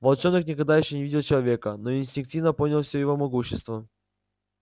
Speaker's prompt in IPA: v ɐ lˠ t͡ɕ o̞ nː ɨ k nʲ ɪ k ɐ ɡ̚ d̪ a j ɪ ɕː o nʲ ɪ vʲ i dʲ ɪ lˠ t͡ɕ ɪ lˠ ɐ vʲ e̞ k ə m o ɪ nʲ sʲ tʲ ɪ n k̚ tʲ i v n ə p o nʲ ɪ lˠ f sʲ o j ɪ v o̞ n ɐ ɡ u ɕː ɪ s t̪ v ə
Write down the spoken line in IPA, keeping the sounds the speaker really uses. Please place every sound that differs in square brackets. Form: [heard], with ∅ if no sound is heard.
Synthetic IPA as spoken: v ɐ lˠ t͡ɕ o̞ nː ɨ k nʲ ɪ k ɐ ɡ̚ d̪ a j ɪ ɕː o nʲ ɪ vʲ i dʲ ɪ lˠ t͡ɕ ɪ lˠ ɐ vʲ e̞ k ə [n] o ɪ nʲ sʲ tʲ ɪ n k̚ tʲ i v n ə p o nʲ ɪ lˠ f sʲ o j ɪ v o̞ [m] ɐ ɡ u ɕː ɪ s t̪ v ə